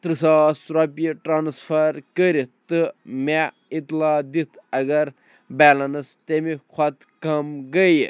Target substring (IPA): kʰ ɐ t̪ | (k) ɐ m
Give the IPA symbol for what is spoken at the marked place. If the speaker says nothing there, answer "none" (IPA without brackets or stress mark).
k